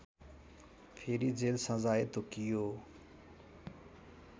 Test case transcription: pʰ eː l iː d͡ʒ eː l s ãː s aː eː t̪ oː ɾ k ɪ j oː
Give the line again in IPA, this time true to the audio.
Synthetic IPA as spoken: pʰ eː ɾ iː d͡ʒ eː l s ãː z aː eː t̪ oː k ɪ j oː